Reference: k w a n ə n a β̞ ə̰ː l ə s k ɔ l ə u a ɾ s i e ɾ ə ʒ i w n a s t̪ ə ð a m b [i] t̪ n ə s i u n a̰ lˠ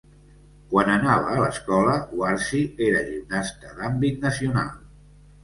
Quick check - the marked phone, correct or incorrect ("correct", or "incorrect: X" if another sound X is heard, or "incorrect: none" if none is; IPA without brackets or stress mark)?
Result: correct